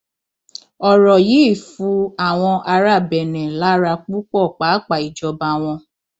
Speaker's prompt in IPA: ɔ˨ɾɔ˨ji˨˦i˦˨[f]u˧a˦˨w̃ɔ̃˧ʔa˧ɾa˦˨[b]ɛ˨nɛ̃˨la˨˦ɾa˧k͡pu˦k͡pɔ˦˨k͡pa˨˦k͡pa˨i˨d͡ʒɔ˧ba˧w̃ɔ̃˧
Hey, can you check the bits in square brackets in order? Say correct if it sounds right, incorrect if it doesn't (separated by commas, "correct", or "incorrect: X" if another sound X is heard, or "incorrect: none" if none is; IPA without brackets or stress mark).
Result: correct, correct